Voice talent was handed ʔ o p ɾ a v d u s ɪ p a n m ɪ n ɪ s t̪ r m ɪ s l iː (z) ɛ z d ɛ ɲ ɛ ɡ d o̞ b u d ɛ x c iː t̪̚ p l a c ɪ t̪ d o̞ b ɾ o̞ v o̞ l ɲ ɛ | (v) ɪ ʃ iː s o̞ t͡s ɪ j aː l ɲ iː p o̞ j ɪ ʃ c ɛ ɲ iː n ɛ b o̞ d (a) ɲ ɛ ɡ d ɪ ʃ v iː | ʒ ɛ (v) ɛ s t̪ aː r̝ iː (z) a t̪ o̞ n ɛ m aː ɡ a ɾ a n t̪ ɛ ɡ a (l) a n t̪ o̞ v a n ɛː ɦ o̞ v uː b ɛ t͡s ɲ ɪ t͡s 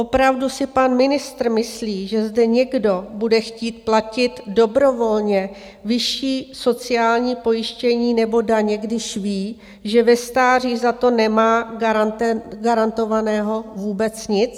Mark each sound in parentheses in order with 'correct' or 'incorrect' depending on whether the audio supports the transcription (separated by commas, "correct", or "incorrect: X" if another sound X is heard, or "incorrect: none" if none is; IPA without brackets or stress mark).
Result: incorrect: ʒ, correct, correct, correct, correct, incorrect: ɾ